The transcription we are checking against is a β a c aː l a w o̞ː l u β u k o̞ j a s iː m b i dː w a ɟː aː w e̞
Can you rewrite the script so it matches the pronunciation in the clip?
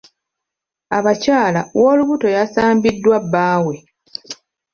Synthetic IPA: a β a c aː l a w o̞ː l u β u t o̞ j a s aː m b i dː w a bː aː w e̞